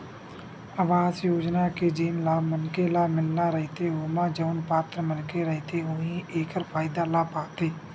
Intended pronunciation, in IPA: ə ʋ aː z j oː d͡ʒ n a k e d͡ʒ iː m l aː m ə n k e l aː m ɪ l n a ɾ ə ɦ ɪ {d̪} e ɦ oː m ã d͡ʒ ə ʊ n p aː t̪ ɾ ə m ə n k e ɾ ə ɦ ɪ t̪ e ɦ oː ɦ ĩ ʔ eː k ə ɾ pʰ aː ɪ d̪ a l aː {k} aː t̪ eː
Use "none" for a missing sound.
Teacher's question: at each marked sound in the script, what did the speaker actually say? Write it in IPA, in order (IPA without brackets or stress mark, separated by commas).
t̪, p